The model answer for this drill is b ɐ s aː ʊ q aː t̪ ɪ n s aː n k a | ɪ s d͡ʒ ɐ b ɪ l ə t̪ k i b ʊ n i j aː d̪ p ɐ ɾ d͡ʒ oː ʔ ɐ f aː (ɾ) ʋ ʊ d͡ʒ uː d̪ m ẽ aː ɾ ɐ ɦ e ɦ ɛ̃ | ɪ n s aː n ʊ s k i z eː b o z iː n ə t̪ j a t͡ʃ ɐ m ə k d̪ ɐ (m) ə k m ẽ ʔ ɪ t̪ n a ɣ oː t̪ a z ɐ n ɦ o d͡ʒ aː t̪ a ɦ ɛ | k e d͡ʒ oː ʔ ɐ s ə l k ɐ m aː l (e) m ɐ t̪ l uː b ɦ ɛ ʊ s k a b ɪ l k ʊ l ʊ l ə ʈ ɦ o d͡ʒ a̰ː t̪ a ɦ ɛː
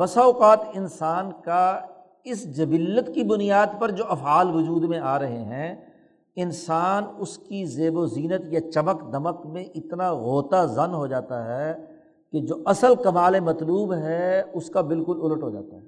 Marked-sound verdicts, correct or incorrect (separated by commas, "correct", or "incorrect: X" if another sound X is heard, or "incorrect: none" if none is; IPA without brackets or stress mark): incorrect: l, correct, correct